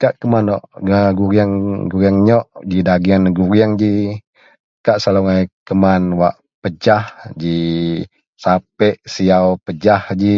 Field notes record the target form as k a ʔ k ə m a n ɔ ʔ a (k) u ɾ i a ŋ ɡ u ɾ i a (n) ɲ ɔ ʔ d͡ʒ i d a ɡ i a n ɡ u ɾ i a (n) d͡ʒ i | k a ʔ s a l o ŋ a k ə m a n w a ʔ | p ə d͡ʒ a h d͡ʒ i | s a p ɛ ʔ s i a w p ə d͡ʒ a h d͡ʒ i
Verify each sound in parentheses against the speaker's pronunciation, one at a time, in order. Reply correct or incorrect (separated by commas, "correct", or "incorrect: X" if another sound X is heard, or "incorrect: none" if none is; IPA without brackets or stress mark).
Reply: incorrect: ɡ, incorrect: ŋ, incorrect: ŋ